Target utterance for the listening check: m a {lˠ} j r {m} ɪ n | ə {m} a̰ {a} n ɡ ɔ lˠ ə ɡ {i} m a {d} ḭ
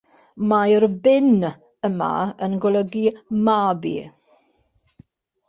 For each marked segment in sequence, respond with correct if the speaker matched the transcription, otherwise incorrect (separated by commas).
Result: incorrect, incorrect, correct, incorrect, correct, incorrect